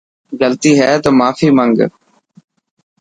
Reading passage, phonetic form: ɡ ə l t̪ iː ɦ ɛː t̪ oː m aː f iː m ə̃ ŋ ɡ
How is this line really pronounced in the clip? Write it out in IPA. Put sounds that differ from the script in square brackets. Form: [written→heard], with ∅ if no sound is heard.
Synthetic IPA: ɡ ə l t̪ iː ɦ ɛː t̪ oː m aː f iː m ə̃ ŋ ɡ